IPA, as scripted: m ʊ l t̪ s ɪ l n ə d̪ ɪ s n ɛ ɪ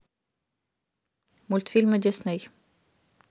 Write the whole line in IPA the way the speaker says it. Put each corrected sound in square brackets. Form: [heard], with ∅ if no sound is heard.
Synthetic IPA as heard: m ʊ l t̪ [f] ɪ l [m] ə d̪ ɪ s n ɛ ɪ